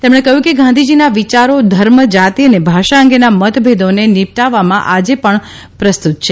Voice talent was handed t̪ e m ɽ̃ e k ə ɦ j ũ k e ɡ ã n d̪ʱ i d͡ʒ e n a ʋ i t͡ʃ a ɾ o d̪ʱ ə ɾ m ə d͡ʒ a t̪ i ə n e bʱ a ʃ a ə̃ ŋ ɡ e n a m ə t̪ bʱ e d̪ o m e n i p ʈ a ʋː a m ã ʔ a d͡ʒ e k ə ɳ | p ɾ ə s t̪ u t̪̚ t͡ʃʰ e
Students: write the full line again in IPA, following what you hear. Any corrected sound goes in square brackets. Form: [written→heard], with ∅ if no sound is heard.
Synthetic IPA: t̪ e m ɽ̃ e k ə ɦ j ũ k e ɡ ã n d̪ʱ i d͡ʒ [e→i] n a ʋ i t͡ʃ a ɾ o d̪ʱ ə ɾ m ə d͡ʒ a t̪ i ə n e bʱ a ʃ a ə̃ ŋ ɡ e n a m ə t̪ bʱ e d̪ o [m→n] e n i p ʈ a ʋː a m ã ʔ a d͡ʒ e [k→p] ə ɳ | p ɾ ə s t̪ u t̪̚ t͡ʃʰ e